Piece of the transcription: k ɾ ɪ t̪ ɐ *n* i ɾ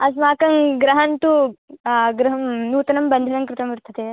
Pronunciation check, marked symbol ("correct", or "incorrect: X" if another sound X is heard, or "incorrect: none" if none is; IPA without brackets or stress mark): incorrect: m